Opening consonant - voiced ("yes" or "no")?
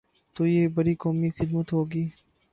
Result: no